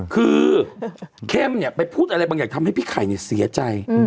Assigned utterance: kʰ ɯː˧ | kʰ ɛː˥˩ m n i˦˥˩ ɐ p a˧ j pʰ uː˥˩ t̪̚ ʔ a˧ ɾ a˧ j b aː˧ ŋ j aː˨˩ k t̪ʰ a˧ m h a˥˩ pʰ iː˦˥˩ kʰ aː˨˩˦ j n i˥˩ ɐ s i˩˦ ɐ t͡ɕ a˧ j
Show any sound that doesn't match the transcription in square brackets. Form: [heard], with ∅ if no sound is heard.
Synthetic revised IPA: kʰ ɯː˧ | kʰ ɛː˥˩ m n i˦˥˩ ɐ p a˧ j pʰ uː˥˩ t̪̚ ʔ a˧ ɾ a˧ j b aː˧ ŋ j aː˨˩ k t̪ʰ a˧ m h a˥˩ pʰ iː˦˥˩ kʰ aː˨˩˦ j n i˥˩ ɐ s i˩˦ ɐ t͡ɕ a˧ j